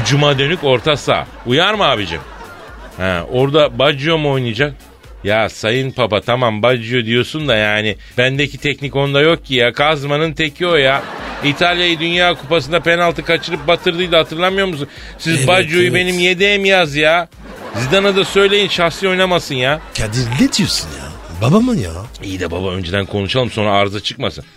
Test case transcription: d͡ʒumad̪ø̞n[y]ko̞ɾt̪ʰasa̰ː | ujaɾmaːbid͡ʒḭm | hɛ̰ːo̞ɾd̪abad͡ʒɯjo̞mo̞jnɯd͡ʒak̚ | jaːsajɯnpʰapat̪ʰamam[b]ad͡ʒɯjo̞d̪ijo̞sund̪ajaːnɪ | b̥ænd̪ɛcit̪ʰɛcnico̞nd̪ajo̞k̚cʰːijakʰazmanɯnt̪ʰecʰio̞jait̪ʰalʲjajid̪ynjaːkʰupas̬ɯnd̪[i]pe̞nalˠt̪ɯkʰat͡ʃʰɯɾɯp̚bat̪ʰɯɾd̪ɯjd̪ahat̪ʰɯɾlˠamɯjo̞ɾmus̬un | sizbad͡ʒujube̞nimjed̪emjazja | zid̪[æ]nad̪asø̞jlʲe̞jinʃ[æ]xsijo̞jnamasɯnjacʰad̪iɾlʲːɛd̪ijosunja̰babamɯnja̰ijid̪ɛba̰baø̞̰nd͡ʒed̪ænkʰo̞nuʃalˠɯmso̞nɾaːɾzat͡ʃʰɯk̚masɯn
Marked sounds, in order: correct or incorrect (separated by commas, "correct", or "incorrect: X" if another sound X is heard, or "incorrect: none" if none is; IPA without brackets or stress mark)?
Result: correct, correct, incorrect: a, incorrect: a, incorrect: a